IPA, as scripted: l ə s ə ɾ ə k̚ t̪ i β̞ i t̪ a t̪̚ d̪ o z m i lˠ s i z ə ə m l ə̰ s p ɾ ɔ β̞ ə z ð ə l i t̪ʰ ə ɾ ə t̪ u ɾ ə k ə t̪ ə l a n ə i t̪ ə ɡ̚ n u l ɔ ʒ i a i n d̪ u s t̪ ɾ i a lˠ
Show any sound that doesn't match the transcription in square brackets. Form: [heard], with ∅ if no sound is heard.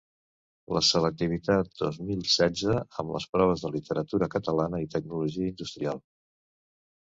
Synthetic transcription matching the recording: l ə s ə [l] ə k̚ t̪ i β̞ i t̪ a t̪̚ d̪ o z m i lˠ s [ɛ] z ə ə m l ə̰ s p ɾ ɔ β̞ ə z ð ə l i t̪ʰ ə ɾ ə t̪ u ɾ ə k ə t̪ ə l a n ə i t̪ ə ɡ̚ n u l [u] ʒ i [ə] i n d̪ u s t̪ ɾ i a lˠ